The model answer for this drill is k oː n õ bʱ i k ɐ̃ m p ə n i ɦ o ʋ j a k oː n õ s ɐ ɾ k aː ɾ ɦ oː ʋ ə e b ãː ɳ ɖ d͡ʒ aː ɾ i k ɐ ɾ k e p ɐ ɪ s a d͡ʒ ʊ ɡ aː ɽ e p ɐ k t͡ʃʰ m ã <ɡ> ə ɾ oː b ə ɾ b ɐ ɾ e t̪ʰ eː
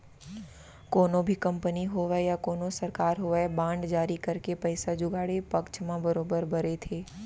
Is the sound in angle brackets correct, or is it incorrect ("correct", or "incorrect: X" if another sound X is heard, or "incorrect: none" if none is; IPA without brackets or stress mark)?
incorrect: b